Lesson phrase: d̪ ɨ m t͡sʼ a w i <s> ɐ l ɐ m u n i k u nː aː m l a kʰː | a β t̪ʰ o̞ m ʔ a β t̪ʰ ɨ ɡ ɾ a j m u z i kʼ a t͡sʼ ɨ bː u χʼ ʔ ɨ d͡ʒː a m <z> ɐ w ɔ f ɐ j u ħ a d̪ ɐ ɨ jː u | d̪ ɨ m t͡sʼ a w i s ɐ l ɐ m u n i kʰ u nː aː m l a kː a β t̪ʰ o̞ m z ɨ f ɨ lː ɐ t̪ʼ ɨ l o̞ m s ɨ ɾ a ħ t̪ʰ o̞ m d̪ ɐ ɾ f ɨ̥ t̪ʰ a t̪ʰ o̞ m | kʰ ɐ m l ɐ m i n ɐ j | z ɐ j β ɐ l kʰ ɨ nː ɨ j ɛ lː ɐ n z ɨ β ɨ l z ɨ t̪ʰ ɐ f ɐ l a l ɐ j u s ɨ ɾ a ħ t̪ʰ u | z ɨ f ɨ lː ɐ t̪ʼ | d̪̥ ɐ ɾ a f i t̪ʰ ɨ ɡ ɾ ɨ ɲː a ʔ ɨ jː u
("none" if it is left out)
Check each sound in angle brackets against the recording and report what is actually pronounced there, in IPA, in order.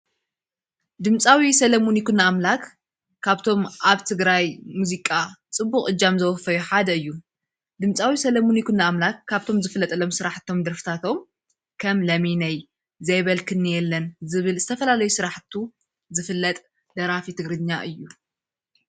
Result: s, z

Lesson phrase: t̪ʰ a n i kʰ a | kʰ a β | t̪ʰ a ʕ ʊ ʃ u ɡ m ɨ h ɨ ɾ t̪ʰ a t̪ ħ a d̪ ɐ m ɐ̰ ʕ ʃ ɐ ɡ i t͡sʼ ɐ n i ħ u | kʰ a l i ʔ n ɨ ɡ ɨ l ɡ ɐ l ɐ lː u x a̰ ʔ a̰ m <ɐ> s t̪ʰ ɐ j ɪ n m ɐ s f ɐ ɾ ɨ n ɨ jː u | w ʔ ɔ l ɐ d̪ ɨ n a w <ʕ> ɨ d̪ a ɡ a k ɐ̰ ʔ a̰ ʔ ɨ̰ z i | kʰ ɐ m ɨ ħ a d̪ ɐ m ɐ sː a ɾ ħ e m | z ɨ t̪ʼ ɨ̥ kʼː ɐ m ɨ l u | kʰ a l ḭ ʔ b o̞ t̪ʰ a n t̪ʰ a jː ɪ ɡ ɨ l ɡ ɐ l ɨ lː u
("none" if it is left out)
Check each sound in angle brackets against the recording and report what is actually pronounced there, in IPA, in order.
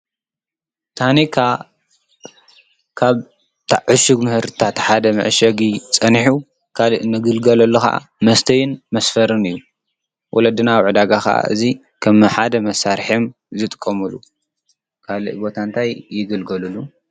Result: ɐ, ʕ

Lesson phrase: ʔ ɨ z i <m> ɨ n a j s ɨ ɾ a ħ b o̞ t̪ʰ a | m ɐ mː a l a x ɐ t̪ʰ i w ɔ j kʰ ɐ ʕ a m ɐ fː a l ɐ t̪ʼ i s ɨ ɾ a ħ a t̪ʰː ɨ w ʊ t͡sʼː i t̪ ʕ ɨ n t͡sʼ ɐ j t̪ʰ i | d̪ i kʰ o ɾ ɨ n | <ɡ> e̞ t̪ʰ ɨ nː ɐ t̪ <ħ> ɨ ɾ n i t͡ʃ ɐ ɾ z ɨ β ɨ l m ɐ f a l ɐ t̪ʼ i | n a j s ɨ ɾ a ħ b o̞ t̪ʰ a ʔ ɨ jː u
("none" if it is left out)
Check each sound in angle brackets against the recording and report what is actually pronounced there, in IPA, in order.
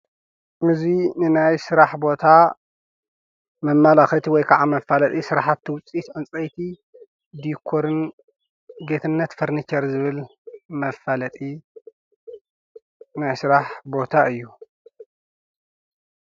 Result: n, ɡ, f

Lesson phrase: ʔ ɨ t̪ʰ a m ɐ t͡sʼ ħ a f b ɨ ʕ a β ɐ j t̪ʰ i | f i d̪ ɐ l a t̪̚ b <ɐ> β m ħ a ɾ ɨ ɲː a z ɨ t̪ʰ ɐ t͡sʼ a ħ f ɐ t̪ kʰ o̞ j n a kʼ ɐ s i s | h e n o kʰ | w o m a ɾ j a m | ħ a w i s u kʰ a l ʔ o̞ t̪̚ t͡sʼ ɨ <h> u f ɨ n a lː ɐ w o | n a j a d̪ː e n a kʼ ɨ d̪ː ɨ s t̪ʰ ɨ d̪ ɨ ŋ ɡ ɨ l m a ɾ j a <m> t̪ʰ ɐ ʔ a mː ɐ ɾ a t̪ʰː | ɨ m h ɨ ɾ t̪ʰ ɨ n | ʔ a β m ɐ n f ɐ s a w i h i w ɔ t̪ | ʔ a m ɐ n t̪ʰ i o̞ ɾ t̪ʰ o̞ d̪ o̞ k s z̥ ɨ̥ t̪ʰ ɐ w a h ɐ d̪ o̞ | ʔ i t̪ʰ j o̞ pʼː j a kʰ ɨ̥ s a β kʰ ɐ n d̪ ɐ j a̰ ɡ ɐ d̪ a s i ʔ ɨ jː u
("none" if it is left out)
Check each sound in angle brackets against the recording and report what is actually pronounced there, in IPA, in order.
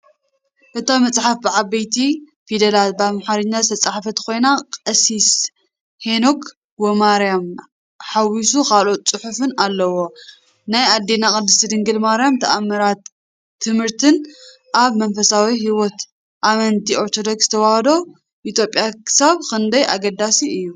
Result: a, ħ, m

